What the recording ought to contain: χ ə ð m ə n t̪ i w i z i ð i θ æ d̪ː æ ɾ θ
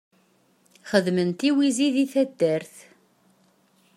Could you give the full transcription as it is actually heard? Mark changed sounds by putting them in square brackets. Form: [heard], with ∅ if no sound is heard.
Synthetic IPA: χ ə ð m ə n t̪ i w i z i ð i θ æ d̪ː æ ɾ θ